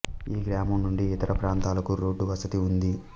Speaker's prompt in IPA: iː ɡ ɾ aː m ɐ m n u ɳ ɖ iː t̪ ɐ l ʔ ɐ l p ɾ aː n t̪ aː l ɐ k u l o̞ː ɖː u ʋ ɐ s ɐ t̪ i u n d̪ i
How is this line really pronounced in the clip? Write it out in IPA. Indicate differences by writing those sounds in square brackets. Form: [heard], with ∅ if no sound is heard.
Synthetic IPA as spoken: iː ɡ ɾ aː m ɐ m n u ɳ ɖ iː t̪ ɐ [ɾ] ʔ ɐ [∅] p ɾ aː n t̪ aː l ɐ k u [ɾ] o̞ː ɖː u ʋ ɐ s ɐ t̪ i u n d̪ i